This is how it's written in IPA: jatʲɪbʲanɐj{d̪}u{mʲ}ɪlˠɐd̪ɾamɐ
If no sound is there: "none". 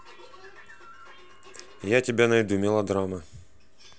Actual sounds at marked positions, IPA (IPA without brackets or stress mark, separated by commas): d̪, mʲ